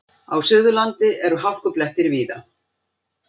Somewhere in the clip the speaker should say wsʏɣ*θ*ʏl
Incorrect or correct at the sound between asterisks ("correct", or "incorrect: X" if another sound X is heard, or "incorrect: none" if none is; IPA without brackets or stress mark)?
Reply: incorrect: ð